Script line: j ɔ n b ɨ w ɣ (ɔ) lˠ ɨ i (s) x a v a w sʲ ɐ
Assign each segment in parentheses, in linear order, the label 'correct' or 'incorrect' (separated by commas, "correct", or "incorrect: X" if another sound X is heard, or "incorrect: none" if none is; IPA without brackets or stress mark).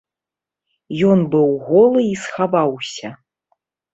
correct, correct